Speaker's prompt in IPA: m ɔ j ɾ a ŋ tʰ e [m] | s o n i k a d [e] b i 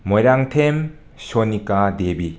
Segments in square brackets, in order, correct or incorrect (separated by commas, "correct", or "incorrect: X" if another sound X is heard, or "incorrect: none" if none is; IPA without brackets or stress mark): correct, correct